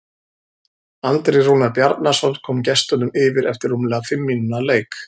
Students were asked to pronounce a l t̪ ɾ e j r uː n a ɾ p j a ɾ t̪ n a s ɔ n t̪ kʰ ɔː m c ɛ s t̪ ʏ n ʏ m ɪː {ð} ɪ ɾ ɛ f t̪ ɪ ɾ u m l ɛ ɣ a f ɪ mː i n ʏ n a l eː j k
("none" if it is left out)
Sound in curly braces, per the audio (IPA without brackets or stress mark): v